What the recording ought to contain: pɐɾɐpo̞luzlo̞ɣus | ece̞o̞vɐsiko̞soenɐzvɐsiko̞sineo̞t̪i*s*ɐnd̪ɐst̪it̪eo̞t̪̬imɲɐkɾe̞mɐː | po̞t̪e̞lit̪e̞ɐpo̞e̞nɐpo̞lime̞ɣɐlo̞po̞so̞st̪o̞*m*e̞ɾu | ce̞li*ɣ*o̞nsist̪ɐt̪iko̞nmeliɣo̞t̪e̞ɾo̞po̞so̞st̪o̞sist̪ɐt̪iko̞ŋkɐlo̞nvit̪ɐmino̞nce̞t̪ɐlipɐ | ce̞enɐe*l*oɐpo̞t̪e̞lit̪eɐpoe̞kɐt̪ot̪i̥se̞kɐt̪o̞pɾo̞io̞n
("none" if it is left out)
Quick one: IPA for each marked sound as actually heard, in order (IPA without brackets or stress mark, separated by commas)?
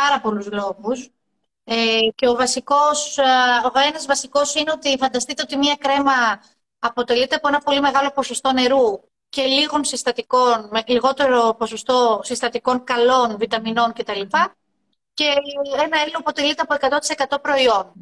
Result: f, n, ɣ, l